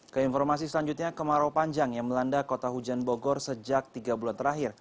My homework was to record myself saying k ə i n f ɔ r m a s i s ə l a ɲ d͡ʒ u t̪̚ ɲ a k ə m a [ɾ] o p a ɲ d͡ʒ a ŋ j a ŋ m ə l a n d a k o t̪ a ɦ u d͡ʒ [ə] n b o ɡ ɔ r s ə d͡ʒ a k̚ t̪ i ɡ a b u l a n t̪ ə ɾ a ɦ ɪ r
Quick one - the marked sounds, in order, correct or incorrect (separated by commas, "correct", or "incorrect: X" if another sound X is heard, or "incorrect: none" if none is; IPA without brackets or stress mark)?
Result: correct, incorrect: a